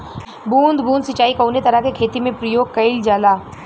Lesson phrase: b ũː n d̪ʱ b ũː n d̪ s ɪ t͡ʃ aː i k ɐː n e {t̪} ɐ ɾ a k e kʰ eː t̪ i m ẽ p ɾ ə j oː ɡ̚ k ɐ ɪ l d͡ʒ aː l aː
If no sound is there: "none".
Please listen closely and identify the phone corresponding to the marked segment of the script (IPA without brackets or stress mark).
t̪